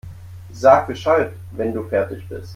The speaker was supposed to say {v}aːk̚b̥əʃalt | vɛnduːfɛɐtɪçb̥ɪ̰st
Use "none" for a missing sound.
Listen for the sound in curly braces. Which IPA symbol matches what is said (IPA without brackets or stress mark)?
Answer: z